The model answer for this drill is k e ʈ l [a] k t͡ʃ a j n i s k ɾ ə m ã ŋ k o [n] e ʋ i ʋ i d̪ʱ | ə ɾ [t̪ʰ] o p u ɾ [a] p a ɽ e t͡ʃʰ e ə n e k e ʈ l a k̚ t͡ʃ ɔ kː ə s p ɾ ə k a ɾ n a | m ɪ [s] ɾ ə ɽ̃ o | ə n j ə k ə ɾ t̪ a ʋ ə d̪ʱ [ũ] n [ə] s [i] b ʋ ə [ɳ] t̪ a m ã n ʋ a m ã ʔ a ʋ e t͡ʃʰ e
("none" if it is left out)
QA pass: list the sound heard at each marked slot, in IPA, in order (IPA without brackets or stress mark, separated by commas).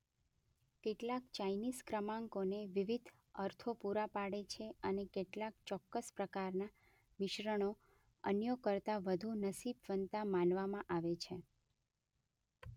a, n, t̪ʰ, a, ʃ, u, ə, i, n